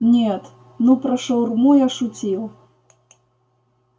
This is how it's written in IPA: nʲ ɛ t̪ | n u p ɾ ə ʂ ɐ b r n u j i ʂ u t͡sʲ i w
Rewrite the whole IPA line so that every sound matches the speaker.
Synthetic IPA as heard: nʲ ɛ t̪ | n u p ɾ ɐ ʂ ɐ w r m u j a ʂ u t͡sʲ i w